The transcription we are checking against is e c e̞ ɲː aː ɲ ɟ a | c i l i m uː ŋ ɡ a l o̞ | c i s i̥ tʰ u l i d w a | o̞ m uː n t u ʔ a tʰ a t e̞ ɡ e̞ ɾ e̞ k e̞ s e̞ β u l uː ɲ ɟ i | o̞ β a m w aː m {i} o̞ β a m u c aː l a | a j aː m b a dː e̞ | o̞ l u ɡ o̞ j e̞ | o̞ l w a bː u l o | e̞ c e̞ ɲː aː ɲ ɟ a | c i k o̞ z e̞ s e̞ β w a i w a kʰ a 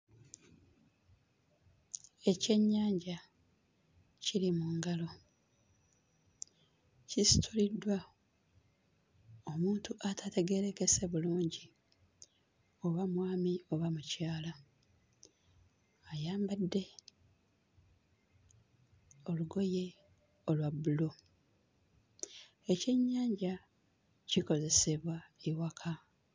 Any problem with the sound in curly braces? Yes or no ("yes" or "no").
no